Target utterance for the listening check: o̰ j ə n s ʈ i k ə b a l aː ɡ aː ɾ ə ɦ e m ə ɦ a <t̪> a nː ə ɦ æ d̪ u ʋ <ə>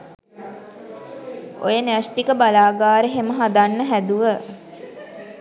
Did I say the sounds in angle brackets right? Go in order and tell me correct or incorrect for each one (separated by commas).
incorrect, correct